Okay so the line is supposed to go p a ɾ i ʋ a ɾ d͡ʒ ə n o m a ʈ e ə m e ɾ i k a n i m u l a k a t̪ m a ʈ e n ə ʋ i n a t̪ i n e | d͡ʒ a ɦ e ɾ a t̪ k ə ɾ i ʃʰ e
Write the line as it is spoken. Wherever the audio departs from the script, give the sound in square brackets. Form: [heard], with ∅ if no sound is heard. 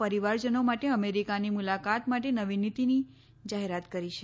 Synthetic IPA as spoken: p [ə] ɾ i ʋ a ɾ d͡ʒ ə n o m a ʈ e ə m e ɾ i k a n i m u l a k a t̪ m a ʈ e n ə ʋ i n [i] t̪ i n [i] | d͡ʒ a ɦ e ɾ a t̪ k ə ɾ i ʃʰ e